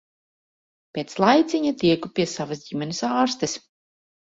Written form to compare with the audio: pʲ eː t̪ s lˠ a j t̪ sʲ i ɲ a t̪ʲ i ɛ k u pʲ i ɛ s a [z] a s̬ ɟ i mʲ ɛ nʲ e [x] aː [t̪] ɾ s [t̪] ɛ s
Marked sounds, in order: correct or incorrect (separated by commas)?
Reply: incorrect, incorrect, incorrect, correct